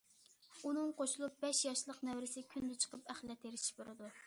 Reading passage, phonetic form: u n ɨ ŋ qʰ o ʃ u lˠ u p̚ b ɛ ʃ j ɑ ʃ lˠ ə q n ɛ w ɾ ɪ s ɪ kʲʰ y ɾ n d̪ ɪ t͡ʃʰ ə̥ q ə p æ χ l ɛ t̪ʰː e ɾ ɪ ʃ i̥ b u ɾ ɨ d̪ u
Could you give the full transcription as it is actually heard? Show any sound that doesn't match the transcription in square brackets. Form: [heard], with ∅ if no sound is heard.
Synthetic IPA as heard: u n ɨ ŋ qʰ o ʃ u lˠ u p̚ b ɛ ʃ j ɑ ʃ lˠ ə q n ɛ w ɾ ɪ s ɪ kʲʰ y [∅] n d̪ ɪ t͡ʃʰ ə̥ q ə p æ χ l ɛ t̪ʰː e ɾ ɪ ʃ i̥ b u ɾ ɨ d̪ u